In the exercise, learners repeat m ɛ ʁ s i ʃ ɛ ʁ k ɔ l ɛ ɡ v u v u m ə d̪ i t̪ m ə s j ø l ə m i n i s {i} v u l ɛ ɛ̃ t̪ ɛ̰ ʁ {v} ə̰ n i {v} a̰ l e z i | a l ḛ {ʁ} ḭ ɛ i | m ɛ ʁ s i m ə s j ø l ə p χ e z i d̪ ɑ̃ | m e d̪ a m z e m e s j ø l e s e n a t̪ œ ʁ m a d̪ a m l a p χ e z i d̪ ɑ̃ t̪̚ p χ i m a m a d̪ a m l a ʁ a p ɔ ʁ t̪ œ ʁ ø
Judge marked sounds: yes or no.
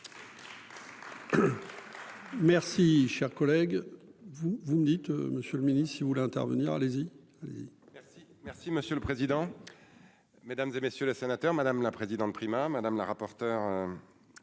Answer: yes, yes, no, no

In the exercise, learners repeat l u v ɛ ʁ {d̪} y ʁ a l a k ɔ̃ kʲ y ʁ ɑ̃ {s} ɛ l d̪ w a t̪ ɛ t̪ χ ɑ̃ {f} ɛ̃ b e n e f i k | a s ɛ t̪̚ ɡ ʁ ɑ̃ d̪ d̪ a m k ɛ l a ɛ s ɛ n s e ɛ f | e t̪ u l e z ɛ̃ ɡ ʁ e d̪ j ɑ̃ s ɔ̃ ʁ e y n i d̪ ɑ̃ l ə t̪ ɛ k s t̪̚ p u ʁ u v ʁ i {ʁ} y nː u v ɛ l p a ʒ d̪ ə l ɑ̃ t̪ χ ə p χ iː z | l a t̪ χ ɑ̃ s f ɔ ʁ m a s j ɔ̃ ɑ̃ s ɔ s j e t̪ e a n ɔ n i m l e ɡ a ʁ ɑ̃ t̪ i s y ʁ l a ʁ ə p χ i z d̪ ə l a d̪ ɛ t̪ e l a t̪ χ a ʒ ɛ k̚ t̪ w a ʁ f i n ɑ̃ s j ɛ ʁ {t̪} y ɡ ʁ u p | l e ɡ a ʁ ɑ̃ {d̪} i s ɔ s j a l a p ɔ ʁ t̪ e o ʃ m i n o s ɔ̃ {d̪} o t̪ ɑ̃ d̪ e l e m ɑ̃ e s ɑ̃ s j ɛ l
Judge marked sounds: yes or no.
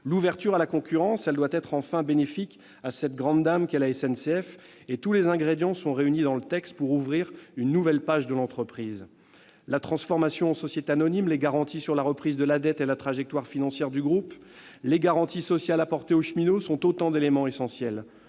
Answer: no, yes, yes, yes, no, no, no

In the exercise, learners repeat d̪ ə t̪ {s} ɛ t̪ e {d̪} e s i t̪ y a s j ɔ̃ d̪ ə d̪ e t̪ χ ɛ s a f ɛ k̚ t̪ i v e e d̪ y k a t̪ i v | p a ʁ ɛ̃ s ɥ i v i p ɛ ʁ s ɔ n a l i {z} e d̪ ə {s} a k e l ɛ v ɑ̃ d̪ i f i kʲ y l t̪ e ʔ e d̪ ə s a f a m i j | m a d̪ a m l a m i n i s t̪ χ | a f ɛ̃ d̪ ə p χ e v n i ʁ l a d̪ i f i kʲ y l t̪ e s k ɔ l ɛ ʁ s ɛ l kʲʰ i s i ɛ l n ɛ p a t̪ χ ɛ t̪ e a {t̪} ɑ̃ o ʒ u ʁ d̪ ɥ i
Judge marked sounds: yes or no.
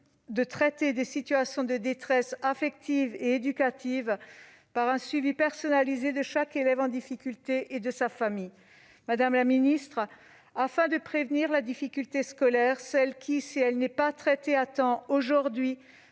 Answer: no, yes, yes, no, yes

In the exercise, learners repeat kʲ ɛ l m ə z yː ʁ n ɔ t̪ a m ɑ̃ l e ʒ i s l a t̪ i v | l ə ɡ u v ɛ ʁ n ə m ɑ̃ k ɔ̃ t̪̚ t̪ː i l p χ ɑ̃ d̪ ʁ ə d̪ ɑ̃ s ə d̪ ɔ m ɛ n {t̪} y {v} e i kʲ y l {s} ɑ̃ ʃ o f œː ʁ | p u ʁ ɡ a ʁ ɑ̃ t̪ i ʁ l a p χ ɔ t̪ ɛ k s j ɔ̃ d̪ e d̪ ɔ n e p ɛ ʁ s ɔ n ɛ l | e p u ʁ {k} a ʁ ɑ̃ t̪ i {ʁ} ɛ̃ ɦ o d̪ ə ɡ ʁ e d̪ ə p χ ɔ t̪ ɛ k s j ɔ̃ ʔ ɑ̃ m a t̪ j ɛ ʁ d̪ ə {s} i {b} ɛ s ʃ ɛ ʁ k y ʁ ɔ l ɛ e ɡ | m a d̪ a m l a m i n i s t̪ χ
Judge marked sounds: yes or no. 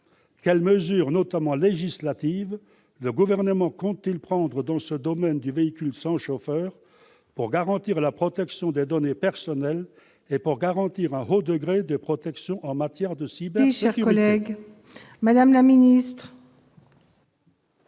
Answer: no, yes, yes, no, yes, yes, yes

